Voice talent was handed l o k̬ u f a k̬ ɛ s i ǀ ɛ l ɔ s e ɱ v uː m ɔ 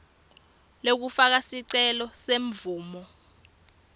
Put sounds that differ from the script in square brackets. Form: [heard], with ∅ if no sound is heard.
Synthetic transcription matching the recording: l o k̬ u f a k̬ [a] s i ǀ ɛ l ɔ s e ɱ v uː m ɔ